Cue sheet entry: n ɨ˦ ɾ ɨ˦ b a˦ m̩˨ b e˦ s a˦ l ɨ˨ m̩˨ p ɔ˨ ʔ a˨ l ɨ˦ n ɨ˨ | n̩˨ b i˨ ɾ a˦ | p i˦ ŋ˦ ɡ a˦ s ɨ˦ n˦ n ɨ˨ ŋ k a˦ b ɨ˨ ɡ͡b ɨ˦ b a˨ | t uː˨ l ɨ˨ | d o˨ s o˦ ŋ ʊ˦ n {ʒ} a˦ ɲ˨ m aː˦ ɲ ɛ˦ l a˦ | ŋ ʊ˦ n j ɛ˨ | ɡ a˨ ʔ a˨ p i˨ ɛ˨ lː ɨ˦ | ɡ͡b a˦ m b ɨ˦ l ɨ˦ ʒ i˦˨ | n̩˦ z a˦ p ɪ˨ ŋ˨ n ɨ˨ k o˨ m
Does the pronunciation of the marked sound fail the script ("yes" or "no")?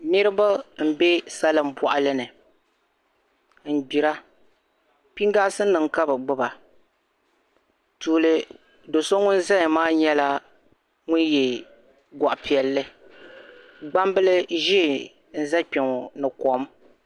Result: yes